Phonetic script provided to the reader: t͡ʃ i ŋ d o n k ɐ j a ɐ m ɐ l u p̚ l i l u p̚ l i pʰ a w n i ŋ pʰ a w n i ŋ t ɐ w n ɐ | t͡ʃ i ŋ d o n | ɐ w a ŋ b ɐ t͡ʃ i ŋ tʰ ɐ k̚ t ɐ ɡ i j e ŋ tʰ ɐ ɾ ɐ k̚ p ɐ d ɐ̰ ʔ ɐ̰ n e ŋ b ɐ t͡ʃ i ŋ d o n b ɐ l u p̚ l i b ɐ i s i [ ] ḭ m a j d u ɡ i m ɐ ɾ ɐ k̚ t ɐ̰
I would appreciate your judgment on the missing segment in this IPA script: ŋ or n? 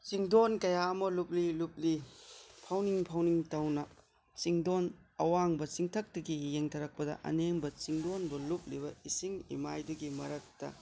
ŋ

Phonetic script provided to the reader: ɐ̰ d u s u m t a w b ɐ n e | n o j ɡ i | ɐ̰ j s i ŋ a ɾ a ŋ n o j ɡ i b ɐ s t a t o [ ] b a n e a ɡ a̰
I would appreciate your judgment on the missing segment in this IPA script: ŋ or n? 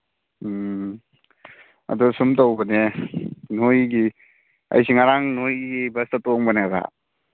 ŋ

